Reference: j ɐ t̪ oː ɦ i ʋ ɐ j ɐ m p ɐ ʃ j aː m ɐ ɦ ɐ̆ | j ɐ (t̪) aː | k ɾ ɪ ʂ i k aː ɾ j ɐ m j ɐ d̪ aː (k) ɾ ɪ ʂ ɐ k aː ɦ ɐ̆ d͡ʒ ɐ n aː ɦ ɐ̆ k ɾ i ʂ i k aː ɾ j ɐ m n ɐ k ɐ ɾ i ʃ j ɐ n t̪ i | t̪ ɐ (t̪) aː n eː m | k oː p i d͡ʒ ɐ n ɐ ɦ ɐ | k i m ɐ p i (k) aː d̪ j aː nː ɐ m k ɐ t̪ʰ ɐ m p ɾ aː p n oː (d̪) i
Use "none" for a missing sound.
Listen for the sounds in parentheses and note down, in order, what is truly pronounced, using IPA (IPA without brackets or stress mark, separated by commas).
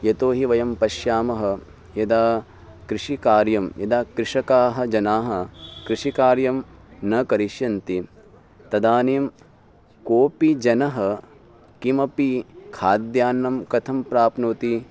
d̪, k, d̪, kʰ, t̪